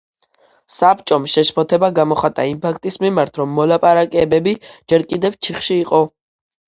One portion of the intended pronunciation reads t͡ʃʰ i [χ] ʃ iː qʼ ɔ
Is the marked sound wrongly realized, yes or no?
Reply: no